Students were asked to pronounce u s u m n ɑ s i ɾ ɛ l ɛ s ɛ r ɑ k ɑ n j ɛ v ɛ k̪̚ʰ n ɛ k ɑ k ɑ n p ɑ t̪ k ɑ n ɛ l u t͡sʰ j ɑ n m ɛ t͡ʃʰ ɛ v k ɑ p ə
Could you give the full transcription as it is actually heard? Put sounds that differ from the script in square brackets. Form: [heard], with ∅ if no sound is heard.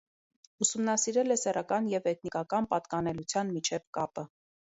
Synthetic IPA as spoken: u s u m n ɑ s i ɾ ɛ l ɛ s ɛ r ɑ k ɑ n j ɛ v ɛ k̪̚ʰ n [i] k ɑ k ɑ n p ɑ t̪ k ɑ n ɛ l u t͡sʰ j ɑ n m [i] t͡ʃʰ ɛ v k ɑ p ə